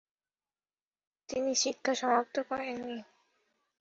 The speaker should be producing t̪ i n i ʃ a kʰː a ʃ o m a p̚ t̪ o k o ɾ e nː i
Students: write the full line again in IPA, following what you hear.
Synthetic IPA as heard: t̪ i n i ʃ i kʰː a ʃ ɔ m a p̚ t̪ o k ɔ ɾ e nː i